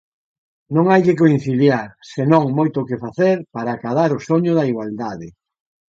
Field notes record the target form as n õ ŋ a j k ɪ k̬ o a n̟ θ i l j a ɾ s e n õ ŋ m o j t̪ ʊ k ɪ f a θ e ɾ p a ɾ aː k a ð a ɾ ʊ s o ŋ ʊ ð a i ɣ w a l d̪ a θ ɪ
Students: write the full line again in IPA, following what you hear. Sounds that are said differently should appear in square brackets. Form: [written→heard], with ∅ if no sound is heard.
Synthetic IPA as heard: n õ ŋ a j k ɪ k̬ o [a→i] n̟ θ i l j a ɾ s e n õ ŋ m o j t̪ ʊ k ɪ f a θ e ɾ p a ɾ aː k a ð a ɾ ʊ s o [ŋ→ɲ] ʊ ð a i ɣ w a l d̪ a [θ→ð] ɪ